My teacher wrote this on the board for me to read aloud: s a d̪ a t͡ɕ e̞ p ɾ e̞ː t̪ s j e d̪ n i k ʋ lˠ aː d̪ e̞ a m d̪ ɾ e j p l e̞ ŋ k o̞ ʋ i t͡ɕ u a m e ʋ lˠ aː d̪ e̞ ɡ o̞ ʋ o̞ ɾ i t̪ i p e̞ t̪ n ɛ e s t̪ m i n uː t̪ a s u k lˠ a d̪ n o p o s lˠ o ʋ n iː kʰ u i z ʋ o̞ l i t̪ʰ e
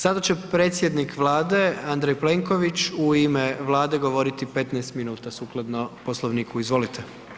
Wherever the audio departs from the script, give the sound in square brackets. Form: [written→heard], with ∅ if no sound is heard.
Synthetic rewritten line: s a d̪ a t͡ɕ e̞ p ɾ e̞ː t̪ s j e d̪ n i k ʋ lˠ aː d̪ e̞ a [m→n] d̪ ɾ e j p l e̞ ŋ k o̞ ʋ i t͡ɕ u [a→i] m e ʋ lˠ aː d̪ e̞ ɡ o̞ ʋ o̞ ɾ i t̪ i p e̞ t̪ n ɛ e s t̪ m i n uː t̪ a s u k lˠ a d̪ n o p o s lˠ o ʋ n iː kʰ u i z ʋ o̞ l i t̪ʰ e

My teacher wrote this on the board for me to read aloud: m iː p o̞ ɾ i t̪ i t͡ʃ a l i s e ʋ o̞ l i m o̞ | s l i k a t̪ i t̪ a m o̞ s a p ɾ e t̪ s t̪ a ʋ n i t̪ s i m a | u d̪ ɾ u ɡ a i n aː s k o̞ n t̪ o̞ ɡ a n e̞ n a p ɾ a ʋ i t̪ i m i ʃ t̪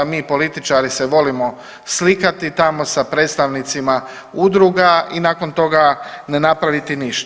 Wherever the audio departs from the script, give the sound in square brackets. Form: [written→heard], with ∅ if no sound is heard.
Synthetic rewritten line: m iː p o̞ [ɾ→l] i t̪ i t͡ʃ a [l→ɾ] i s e ʋ o̞ l i m o̞ | s l i k a t̪ i t̪ a m o̞ s a p ɾ e t̪ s t̪ a ʋ n i t̪ s i m a | u d̪ ɾ u ɡ a i n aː [s→∅] k o̞ n t̪ o̞ ɡ a n e̞ n a p ɾ a ʋ i t̪ i [m→n] i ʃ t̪

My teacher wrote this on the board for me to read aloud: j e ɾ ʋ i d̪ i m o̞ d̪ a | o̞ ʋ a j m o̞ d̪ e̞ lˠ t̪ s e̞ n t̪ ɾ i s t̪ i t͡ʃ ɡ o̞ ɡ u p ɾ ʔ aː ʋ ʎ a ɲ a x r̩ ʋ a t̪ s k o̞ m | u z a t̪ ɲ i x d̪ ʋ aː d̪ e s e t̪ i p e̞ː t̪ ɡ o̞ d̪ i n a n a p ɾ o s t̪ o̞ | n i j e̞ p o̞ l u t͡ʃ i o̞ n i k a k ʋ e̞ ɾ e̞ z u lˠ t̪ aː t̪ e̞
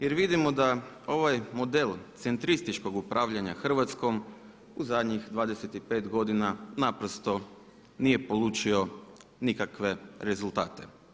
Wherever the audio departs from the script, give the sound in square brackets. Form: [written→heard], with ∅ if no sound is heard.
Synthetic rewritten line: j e ɾ ʋ i d̪ i m o̞ d̪ a | o̞ ʋ a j m o̞ d̪ e̞ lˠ t̪ s e̞ n t̪ ɾ i s t̪ i t͡ʃ [ɡ→k] o̞ ɡ u p ɾ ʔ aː ʋ ʎ a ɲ a x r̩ ʋ a t̪ s k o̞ m | u z a [t̪→d̪] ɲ i x d̪ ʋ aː d̪ e s e t̪ i p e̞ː t̪ ɡ o̞ d̪ i n a n a p ɾ o s t̪ o̞ | n i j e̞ p o̞ l u t͡ʃ i o̞ n i k a k ʋ e̞ ɾ e̞ z u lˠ t̪ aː t̪ e̞

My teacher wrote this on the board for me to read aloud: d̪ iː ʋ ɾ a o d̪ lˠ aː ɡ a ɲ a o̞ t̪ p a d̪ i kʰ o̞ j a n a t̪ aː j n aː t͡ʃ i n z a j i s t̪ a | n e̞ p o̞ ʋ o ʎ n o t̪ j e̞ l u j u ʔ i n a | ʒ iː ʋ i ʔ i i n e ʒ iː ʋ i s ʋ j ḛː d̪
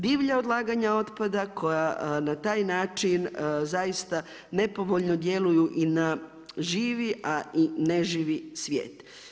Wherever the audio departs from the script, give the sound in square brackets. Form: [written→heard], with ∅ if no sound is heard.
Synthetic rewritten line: d̪ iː ʋ [ɾ→ʎ] a o d̪ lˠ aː ɡ a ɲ a o̞ t̪ p a d̪ [i→a] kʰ o̞ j a n a t̪ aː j n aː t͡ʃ i n z a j i s t̪ a | n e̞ p o̞ ʋ o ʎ n o [t̪→d̪] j e̞ l u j u ʔ i n a | ʒ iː ʋ i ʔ [i→a] i n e ʒ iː ʋ i s ʋ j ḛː [d̪→t̪]

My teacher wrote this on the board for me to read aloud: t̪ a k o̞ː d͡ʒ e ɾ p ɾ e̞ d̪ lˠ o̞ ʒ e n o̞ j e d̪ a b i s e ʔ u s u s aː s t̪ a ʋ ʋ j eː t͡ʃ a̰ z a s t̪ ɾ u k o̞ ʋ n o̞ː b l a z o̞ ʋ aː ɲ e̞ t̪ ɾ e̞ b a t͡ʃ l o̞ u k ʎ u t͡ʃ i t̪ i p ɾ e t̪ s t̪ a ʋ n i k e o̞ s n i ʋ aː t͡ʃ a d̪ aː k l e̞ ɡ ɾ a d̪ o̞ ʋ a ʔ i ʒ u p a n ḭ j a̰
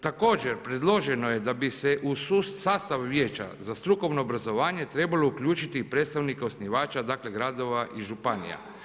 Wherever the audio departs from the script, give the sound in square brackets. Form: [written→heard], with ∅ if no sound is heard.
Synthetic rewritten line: t̪ a k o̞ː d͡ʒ e ɾ p ɾ e̞ d̪ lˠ o̞ ʒ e n o̞ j e d̪ a b i s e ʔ u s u s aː s t̪ a ʋ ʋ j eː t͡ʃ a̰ z a s t̪ ɾ u k o̞ ʋ n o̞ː b [l→ɾ] a z o̞ ʋ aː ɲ e̞ t̪ ɾ e̞ b a [t͡ʃ→∅] l o̞ u k ʎ [u→uː] t͡ʃ i t̪ i p ɾ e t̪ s t̪ a ʋ n i k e o̞ s n i ʋ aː t͡ʃ a d̪ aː k l e̞ ɡ ɾ a d̪ o̞ ʋ a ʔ i ʒ u p a n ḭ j a̰

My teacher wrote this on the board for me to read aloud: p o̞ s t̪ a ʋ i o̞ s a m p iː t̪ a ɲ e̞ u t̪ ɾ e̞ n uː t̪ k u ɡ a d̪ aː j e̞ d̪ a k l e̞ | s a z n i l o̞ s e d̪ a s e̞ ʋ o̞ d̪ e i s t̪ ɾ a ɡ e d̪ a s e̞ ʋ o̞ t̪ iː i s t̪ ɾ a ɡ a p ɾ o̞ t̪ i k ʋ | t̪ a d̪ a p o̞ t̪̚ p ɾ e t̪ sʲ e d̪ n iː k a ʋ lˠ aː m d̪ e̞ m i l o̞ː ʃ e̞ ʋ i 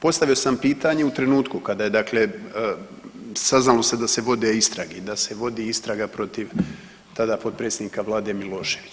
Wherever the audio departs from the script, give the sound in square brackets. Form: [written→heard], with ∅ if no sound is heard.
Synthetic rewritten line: p o̞ s t̪ a ʋ i o̞ s a m p iː t̪ a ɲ e̞ u t̪ ɾ e̞ n uː t̪ k u [ɡ→k] a d̪ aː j e̞ d̪ a k l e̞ | s a z n [i→a] l o̞ s e d̪ a s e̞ ʋ o̞ d̪ e i s t̪ ɾ a ɡ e d̪ a s e̞ ʋ o̞ [t̪→d̪] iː i s t̪ ɾ a ɡ a p ɾ o̞ t̪ i [k→∅] ʋ | t̪ a d̪ a p o̞ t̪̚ p ɾ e t̪ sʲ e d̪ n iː k a ʋ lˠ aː [m→∅] d̪ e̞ m i l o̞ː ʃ e̞ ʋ i

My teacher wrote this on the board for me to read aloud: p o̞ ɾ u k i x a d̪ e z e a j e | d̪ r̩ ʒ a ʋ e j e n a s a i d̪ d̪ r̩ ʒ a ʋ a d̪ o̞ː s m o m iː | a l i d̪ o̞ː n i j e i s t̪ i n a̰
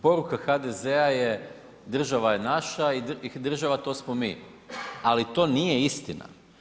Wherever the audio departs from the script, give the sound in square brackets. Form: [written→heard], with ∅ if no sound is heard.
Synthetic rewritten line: p o̞ ɾ u k [i→a] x a d̪ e z e a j e | d̪ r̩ ʒ a ʋ [e→a] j e n a [s→ʃ] a i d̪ d̪ r̩ ʒ a ʋ a [d̪→t̪] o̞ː s m o m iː | a l i [d̪→t̪] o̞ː n i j e i s t̪ i n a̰

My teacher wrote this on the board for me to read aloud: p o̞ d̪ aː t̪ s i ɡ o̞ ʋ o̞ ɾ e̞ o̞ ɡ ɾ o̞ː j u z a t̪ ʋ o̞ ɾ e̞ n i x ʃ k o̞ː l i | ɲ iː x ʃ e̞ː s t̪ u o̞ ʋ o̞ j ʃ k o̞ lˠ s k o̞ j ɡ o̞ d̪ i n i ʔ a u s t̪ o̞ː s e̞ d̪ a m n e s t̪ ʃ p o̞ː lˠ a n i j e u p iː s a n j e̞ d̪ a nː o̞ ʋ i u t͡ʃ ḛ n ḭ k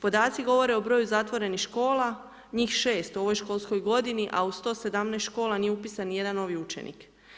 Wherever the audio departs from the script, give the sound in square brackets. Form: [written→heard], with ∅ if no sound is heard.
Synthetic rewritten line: p o̞ d̪ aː t̪ s i ɡ o̞ ʋ o̞ ɾ e̞ o̞ [ɡ→b] ɾ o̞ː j u z a t̪ ʋ o̞ ɾ e̞ n i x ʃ k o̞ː l [i→a] | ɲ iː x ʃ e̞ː s t̪ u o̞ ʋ o̞ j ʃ k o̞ lˠ s k o̞ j ɡ o̞ d̪ i n i ʔ a u s t̪ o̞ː s e̞ d̪ a m n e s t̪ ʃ [p→k] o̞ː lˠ a n i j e u p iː s a n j e̞ d̪ a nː o̞ ʋ i u t͡ʃ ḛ n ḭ k

